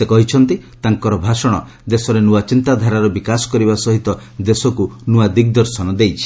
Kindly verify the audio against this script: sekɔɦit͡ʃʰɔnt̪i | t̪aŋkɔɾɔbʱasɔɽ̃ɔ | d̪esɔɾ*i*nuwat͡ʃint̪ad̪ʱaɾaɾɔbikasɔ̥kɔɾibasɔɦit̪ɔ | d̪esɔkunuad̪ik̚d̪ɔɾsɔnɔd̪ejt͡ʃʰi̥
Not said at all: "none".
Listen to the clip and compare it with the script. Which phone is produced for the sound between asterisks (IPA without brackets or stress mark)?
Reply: e